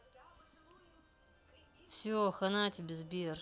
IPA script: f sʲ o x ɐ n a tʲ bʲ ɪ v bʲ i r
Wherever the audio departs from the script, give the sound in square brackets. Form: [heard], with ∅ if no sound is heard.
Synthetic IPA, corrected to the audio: f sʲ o x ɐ n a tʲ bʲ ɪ [z] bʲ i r